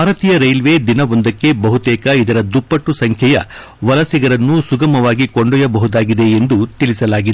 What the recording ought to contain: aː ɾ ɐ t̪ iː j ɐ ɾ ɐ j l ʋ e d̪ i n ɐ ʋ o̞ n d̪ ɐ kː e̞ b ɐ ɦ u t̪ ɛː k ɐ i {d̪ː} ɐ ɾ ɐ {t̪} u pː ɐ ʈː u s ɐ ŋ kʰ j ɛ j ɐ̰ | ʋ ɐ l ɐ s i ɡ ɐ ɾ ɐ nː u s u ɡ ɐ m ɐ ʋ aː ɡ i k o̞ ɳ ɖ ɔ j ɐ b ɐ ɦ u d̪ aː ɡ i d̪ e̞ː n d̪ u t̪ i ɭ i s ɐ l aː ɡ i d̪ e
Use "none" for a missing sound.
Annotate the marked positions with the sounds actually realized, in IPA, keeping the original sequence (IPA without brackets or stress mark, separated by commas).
d̪, d̪